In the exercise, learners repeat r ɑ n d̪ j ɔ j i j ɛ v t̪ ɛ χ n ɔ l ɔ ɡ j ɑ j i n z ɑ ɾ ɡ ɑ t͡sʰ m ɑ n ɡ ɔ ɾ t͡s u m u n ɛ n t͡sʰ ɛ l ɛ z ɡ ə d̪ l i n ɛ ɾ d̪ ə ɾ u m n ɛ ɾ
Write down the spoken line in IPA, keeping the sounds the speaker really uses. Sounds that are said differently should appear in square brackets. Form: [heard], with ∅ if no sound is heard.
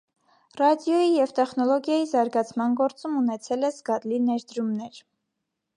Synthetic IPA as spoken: r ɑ [∅] d̪ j ɔ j i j ɛ v t̪ ɛ χ n ɔ l ɔ ɡ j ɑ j i [∅] z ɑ ɾ ɡ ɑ t͡sʰ m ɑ n ɡ ɔ ɾ t͡s u m u n ɛ [∅] t͡sʰ ɛ l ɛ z ɡ [ɑ] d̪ l i n ɛ ɾ d̪ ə ɾ u m n ɛ ɾ